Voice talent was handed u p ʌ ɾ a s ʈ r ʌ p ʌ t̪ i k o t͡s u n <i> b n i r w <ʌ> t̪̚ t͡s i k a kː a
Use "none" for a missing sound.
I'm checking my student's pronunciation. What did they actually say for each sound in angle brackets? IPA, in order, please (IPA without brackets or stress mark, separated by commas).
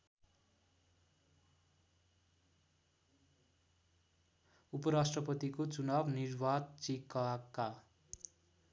a, a